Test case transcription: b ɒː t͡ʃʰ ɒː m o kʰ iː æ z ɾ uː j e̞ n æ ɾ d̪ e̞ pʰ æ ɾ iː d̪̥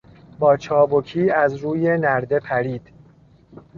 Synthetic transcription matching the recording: b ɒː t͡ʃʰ ɒː b o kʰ iː æ z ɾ uː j e̞ n æ ɾ d̪ e̞ pʰ æ ɾ iː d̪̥